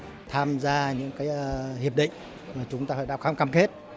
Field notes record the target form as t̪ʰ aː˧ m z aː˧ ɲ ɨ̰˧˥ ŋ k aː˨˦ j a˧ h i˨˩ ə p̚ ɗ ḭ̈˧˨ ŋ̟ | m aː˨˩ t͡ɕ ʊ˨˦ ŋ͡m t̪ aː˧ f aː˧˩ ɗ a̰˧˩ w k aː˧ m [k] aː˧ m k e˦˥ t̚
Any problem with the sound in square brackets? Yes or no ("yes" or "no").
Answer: no